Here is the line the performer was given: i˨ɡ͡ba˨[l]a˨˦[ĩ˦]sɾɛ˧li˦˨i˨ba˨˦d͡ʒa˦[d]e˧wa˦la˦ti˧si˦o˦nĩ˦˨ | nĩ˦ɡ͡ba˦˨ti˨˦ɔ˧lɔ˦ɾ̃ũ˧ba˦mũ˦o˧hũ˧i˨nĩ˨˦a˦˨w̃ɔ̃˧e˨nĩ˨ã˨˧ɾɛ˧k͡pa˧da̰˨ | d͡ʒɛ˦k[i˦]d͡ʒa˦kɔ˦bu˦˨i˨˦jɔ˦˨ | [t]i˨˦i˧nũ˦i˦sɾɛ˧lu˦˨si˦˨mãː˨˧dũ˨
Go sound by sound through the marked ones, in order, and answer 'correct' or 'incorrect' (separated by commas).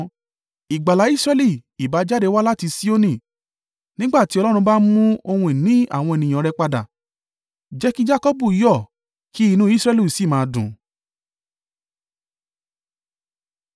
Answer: correct, incorrect, correct, correct, incorrect